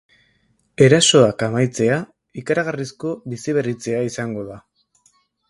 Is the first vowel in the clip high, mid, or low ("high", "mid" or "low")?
mid